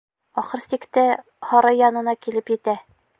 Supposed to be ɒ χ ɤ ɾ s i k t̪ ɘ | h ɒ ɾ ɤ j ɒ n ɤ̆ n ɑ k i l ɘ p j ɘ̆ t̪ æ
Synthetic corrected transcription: ɒ χ ɤ ɾ s i k t̪ ɘ | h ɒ ɾ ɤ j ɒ n ɤ̆ n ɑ k i l ɘ p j ɘ̆ t̪ æ